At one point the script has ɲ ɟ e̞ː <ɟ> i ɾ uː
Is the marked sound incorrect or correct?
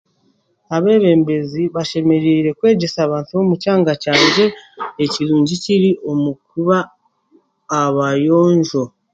incorrect